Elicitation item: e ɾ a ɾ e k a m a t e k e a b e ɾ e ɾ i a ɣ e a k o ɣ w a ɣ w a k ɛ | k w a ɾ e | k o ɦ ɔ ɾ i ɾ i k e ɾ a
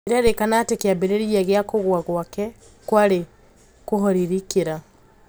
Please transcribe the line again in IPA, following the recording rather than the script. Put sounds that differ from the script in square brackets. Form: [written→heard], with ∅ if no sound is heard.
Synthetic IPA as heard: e ɾ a ɾ e k a [m→n] a t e k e a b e ɾ e ɾ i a ɣ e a k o ɣ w a ɣ w a k ɛ | k w a ɾ e | k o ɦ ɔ ɾ i ɾ i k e ɾ a